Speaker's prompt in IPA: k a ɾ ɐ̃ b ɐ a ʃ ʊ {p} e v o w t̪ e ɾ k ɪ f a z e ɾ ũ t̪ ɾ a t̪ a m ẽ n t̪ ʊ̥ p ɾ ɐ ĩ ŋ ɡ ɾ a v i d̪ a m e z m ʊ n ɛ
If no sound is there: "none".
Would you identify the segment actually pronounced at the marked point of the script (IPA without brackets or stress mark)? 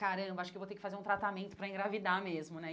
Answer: k